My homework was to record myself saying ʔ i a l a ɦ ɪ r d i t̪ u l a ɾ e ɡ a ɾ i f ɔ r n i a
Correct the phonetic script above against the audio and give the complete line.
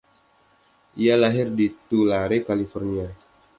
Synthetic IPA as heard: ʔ i a l a ɦ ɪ r d i t̪ u l a ɾ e k a l i f ɔ r n i a